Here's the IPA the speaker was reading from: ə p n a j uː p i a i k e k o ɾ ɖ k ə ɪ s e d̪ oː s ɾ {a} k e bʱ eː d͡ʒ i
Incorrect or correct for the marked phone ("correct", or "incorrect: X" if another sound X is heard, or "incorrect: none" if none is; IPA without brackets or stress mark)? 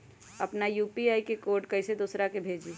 correct